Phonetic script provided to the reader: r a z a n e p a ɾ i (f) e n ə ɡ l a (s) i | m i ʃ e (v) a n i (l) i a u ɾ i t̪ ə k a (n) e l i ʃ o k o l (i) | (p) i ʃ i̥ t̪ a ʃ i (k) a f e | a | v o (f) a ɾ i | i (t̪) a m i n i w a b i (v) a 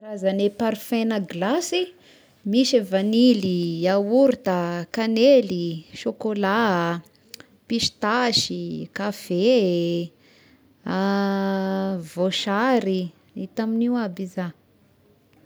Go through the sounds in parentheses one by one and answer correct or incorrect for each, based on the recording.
correct, correct, correct, correct, correct, incorrect, correct, correct, incorrect, correct, incorrect

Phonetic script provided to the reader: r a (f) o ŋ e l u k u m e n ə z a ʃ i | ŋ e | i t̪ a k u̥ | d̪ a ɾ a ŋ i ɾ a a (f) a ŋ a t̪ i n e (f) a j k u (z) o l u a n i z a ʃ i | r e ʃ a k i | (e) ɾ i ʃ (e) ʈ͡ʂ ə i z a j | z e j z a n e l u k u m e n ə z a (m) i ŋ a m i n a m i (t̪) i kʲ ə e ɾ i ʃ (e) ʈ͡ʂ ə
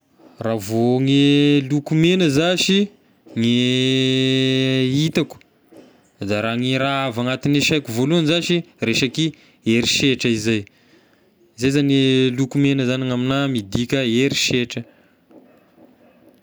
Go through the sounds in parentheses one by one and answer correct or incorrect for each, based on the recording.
incorrect, incorrect, incorrect, incorrect, correct, correct, incorrect, incorrect, correct

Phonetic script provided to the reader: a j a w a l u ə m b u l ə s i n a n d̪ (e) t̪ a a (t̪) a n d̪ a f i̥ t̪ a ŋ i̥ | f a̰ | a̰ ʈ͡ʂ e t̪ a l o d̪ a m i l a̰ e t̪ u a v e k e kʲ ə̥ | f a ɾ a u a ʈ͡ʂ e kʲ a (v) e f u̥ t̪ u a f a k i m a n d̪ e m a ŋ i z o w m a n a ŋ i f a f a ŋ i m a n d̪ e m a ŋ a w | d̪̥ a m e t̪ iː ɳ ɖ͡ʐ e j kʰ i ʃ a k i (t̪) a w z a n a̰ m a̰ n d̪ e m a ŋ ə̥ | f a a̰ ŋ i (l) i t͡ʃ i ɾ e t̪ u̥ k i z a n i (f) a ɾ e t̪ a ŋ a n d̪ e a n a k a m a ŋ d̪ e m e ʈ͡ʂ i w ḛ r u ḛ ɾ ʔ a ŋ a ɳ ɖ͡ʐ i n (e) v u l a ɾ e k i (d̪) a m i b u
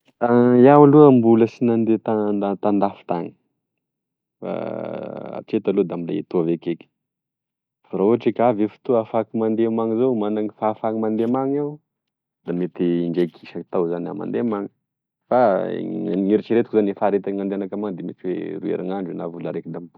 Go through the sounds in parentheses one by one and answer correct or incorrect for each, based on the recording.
correct, correct, correct, correct, incorrect, correct, incorrect, correct

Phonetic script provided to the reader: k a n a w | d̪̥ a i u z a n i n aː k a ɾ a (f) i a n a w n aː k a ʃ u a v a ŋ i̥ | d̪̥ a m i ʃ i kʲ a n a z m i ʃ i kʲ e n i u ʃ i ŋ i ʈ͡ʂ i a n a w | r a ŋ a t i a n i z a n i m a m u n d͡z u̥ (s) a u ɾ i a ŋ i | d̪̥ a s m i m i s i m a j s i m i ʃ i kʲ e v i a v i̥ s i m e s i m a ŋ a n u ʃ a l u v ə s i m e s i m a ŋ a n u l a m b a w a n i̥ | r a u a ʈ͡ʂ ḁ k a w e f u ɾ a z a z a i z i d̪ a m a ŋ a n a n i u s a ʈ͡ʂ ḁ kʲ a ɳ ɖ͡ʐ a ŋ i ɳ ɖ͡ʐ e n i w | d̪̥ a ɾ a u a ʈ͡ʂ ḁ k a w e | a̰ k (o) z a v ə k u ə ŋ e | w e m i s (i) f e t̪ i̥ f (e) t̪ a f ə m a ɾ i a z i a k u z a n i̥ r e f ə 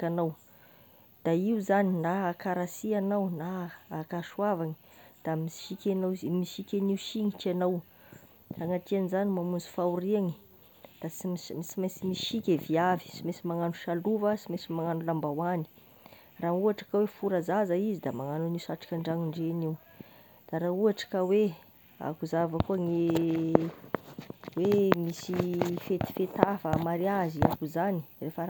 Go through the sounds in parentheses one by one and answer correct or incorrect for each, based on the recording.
incorrect, incorrect, incorrect, correct, correct

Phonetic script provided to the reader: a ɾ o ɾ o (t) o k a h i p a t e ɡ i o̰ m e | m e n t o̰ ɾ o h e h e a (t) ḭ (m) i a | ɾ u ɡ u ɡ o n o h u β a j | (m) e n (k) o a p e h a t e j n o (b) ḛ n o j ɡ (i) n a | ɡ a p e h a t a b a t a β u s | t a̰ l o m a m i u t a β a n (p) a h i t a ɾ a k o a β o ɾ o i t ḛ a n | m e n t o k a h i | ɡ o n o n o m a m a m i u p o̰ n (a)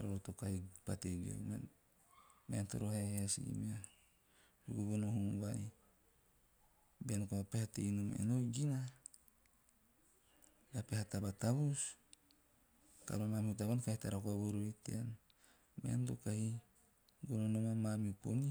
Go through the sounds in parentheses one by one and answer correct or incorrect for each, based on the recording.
correct, incorrect, correct, incorrect, correct, incorrect, correct, incorrect, incorrect

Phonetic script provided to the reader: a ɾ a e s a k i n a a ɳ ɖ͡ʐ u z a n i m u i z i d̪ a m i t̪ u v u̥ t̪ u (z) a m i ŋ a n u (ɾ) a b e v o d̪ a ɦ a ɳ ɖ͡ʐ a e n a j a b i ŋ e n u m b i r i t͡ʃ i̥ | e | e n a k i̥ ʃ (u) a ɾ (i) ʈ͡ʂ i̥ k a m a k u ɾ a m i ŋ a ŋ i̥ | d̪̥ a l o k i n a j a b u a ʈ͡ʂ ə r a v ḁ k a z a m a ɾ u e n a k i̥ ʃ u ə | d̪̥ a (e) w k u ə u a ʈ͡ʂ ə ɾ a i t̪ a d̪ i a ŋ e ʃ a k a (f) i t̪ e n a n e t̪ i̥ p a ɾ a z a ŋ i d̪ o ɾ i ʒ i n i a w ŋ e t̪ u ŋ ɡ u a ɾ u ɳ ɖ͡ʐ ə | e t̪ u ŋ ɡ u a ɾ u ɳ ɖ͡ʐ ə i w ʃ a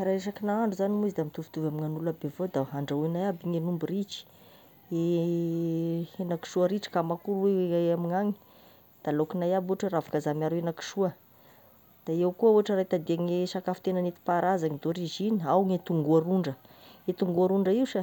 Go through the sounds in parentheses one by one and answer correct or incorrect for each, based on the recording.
incorrect, incorrect, correct, correct, correct, correct

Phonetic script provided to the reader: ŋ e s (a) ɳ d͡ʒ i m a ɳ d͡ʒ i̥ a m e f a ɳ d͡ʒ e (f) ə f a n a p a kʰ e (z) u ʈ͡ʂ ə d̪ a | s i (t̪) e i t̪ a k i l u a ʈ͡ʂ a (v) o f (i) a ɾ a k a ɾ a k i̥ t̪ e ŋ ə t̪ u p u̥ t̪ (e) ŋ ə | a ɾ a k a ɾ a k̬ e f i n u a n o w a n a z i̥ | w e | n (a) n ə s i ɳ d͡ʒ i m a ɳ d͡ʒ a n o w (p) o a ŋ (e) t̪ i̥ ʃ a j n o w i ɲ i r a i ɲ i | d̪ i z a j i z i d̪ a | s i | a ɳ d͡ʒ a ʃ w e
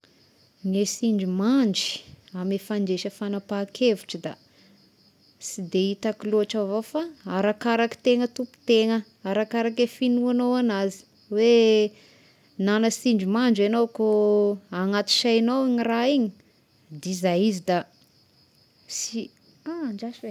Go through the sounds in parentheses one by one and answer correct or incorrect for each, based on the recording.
incorrect, incorrect, incorrect, incorrect, correct, incorrect, correct, correct, incorrect, incorrect

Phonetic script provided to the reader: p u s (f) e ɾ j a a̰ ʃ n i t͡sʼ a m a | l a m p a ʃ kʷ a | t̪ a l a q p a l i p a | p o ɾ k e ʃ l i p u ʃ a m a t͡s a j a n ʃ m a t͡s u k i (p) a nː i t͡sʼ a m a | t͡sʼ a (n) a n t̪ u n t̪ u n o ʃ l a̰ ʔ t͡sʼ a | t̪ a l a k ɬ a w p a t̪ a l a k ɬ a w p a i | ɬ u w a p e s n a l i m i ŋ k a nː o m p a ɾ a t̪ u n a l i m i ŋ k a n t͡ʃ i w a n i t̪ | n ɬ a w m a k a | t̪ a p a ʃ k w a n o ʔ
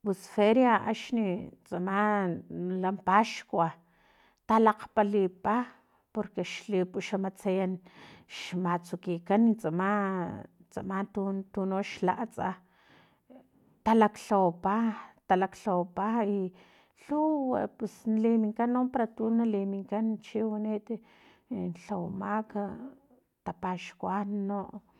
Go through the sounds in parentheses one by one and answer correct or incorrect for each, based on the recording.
correct, incorrect, incorrect

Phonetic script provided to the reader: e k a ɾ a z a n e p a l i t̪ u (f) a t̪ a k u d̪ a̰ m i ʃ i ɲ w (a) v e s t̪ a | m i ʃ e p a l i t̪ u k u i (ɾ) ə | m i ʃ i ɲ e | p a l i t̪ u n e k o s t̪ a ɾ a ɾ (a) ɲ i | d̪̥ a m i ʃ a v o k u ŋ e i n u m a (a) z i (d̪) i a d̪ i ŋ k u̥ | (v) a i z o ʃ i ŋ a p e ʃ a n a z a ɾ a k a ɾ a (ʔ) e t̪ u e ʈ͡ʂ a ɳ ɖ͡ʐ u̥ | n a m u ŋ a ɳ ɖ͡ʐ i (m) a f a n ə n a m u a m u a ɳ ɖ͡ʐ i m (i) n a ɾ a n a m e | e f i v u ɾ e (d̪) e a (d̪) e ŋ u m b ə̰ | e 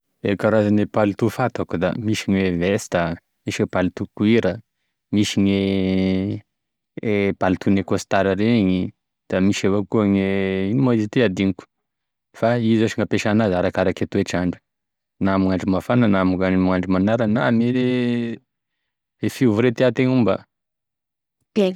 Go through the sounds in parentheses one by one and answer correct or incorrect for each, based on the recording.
correct, incorrect, correct, incorrect, incorrect, incorrect, incorrect, incorrect, correct, incorrect, incorrect, incorrect

